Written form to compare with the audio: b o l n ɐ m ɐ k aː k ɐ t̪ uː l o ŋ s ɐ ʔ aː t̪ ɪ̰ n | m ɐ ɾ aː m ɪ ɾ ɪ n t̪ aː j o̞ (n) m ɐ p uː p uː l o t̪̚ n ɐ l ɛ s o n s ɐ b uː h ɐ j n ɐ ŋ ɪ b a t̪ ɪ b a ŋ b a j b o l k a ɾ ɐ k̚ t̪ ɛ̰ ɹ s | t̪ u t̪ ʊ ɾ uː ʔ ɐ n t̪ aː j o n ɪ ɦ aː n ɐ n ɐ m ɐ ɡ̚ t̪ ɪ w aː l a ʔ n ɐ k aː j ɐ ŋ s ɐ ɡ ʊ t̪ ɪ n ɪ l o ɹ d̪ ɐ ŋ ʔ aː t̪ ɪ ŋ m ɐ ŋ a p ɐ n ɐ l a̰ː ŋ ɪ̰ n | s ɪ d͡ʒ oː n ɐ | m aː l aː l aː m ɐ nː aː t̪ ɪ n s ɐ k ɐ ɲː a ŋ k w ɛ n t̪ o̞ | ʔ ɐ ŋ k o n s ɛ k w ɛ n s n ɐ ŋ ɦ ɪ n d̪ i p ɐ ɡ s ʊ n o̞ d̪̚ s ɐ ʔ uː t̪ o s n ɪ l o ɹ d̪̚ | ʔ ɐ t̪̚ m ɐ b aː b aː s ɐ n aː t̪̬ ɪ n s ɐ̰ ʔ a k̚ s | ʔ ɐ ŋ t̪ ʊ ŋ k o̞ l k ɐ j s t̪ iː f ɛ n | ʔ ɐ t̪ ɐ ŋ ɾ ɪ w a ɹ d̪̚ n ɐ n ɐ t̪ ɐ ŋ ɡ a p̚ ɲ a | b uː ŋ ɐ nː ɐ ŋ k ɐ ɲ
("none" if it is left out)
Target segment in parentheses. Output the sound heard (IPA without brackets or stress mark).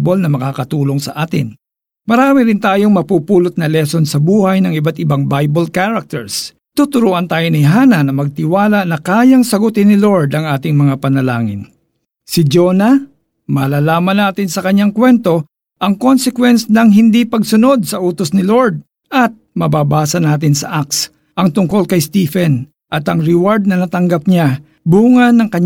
ŋ